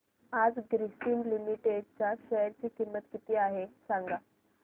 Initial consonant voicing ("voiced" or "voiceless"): voiced